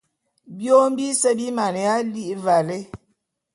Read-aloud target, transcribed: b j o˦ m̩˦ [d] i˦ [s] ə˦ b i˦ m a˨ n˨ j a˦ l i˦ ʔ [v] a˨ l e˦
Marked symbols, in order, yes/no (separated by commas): no, yes, yes